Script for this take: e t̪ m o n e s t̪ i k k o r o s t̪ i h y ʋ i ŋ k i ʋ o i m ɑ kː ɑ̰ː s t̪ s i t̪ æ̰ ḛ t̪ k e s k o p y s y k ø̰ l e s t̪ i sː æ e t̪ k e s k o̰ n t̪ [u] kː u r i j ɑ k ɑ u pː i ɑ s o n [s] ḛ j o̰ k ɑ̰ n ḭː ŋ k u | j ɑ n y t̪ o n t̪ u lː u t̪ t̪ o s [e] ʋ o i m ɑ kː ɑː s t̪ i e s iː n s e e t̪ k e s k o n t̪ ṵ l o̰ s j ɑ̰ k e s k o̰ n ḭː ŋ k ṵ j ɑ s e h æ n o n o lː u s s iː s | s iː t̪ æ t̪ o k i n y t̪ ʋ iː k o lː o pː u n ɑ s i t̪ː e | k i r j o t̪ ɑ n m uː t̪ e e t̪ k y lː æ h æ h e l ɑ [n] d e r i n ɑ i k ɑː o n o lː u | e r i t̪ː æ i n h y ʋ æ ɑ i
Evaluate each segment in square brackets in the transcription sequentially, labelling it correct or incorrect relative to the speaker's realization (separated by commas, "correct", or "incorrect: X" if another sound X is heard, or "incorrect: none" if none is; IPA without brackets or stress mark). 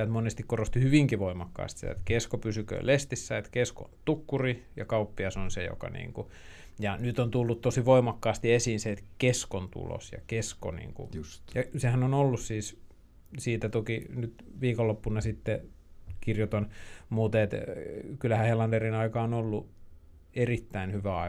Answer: correct, correct, incorrect: i, correct